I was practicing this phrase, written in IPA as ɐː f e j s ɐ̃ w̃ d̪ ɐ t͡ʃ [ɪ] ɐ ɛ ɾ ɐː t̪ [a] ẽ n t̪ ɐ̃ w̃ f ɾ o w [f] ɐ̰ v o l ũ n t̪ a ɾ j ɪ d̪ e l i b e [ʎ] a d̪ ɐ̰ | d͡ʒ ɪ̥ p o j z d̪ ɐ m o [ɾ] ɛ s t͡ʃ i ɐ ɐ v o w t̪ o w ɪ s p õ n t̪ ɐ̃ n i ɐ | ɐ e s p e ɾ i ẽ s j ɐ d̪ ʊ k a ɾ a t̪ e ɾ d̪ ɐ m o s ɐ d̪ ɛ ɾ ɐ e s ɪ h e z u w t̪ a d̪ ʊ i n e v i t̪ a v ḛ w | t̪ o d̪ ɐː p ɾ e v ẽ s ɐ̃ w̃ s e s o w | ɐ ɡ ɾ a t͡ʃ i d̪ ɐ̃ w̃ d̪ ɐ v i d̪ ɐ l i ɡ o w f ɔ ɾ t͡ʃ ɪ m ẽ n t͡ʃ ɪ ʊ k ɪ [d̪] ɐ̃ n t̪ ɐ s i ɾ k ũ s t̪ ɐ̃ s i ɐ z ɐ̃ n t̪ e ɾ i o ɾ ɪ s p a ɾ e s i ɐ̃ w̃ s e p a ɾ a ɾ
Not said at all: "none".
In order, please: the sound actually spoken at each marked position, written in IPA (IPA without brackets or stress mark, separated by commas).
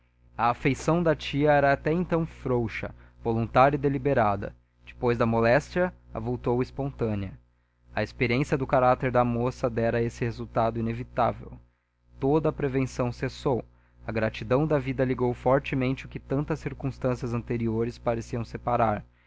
i, ɛ, ʃ, ɾ, l, t̪